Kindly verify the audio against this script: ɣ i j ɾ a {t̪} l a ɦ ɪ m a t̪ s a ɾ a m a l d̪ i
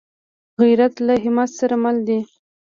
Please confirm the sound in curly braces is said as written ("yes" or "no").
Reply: yes